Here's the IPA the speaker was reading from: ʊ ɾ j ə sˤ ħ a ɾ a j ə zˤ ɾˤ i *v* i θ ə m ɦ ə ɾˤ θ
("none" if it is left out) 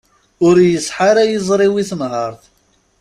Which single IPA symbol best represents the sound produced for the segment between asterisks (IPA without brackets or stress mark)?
w